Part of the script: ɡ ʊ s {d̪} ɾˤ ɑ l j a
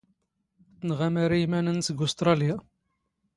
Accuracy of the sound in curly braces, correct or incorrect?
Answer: incorrect